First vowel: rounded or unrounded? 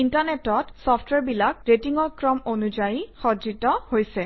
unrounded